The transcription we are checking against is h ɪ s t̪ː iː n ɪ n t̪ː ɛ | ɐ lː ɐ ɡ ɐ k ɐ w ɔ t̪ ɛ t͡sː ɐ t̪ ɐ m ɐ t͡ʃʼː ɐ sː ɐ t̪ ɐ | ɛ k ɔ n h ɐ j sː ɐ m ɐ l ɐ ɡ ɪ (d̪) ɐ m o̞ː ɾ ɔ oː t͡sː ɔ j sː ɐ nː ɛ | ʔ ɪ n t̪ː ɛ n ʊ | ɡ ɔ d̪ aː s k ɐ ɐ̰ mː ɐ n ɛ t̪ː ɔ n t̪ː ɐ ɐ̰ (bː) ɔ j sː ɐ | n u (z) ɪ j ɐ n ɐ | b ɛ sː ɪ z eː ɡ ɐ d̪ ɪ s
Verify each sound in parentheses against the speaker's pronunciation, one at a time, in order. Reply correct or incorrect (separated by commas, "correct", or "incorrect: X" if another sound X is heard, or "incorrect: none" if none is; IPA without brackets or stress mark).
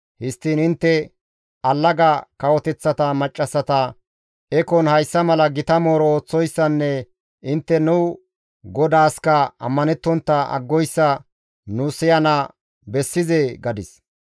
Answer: incorrect: t̪, incorrect: ɡː, incorrect: s